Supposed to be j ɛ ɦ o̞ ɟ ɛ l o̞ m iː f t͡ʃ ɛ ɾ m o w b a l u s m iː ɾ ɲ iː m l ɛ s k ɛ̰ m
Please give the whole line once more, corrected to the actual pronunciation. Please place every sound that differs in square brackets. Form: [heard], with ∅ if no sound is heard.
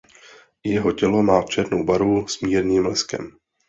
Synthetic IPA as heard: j ɛ ɦ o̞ [c] ɛ l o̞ m [aː] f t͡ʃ ɛ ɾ [n] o w b a [ɾ] u s m iː ɾ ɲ iː m l ɛ s k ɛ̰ m